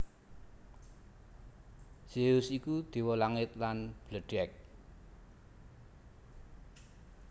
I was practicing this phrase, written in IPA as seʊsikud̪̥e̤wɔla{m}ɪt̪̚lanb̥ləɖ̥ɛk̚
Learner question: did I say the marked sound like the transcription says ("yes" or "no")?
no